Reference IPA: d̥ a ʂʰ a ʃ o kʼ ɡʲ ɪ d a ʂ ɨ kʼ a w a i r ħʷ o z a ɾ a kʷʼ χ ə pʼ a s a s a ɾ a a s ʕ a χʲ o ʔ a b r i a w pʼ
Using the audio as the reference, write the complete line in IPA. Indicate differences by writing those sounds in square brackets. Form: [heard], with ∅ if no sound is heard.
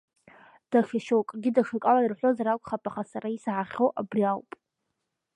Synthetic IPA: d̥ a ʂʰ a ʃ o kʼ ɡʲ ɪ d a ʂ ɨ kʼ a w a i r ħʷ o z a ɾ a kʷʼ χ [a] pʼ a [χ] a s a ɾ a [i] s ʕ a χʲ o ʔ a b r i a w pʼ